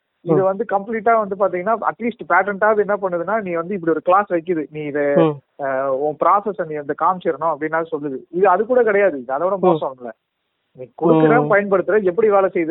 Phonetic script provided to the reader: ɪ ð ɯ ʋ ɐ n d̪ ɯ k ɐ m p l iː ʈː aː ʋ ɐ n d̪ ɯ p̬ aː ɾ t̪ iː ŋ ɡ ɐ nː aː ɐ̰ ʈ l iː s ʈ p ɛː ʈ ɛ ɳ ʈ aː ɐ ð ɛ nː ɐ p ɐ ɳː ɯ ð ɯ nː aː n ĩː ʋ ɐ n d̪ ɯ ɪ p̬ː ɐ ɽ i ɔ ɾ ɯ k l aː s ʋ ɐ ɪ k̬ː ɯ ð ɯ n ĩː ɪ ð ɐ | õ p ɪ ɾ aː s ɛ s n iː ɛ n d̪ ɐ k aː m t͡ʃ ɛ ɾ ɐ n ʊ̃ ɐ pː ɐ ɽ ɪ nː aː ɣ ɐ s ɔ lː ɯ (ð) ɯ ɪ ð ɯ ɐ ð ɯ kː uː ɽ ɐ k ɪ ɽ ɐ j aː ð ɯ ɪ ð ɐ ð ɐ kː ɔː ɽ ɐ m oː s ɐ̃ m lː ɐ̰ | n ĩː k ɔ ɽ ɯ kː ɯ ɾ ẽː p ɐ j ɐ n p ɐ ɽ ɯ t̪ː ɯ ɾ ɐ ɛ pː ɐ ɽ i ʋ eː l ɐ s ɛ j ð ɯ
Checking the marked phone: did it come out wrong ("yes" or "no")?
no